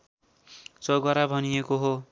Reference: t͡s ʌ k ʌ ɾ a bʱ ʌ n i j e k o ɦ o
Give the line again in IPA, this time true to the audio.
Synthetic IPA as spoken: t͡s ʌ ɡ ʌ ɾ a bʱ ʌ n i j e k o ɦ o